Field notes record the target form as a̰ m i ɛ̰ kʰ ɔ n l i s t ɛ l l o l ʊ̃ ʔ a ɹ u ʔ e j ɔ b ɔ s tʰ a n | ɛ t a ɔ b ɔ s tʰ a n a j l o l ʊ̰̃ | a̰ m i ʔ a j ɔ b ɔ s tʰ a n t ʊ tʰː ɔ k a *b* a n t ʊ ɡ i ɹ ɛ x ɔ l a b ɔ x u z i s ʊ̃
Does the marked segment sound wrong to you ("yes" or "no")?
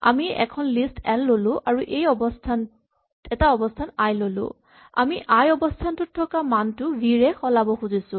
yes